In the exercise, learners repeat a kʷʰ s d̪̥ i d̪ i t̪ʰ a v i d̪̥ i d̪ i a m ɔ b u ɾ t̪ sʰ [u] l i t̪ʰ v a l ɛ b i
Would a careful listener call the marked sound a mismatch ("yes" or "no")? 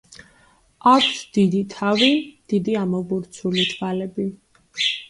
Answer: no